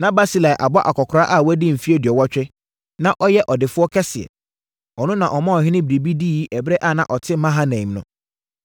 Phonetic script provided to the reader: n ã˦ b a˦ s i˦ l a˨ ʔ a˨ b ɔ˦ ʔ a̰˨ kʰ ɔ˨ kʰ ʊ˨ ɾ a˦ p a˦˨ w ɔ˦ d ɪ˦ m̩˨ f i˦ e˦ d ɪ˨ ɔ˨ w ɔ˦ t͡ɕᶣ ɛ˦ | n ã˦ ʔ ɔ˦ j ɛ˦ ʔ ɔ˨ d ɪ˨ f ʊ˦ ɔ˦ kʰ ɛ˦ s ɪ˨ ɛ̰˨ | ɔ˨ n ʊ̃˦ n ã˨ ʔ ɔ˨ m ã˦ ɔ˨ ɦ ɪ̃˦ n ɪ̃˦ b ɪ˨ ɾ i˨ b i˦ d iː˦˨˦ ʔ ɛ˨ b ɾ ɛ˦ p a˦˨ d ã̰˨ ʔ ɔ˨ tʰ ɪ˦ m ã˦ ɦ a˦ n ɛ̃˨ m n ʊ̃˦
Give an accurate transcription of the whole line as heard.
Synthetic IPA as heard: n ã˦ b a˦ s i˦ l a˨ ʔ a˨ b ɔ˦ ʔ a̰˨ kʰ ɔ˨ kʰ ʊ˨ ɾ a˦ ʔ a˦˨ w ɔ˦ d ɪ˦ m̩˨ f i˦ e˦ d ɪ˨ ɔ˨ w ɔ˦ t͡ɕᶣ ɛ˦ | n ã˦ ʔ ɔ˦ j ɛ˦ ʔ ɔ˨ d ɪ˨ f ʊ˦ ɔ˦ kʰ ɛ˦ s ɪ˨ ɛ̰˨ | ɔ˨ n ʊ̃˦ n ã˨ ʔ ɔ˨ m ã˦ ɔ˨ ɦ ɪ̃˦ n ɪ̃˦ b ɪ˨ ɾ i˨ b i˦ d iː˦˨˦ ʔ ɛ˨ b ɾ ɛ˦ ʔ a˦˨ n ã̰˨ ʔ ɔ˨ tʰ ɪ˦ m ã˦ ɦ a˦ n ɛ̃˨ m n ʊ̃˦